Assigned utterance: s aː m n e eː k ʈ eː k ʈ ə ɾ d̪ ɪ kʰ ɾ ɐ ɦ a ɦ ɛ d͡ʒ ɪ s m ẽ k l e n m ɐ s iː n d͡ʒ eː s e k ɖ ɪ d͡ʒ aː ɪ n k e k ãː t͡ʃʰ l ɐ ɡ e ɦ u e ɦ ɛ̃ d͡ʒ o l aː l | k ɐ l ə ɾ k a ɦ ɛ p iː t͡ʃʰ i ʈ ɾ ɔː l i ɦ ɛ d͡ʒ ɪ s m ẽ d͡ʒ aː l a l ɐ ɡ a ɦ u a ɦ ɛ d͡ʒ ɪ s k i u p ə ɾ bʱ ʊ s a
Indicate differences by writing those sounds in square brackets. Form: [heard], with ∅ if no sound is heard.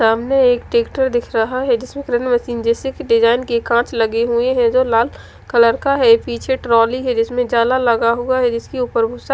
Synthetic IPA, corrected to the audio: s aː m n e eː k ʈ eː k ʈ ə ɾ d̪ ɪ kʰ ɾ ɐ ɦ a ɦ ɛ d͡ʒ ɪ s m ẽ k [ɾ] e n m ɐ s iː n d͡ʒ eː s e k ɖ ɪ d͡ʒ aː ɪ n k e k ãː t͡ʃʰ l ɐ ɡ e ɦ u e ɦ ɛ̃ d͡ʒ o l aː l | k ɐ l ə ɾ k a ɦ ɛ p iː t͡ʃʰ [e] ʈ ɾ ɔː l i ɦ ɛ d͡ʒ ɪ s m ẽ d͡ʒ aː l a l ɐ ɡ a ɦ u a ɦ ɛ d͡ʒ ɪ s k i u p ə ɾ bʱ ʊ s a